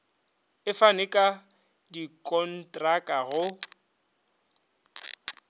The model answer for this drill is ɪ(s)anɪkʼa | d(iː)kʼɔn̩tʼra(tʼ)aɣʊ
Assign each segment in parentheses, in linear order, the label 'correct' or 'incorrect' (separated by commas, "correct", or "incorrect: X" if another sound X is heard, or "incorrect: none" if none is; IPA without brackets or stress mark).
incorrect: f, incorrect: i, incorrect: kʼ